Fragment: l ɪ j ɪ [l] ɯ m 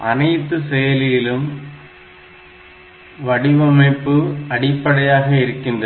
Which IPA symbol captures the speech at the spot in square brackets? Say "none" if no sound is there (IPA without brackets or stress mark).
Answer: l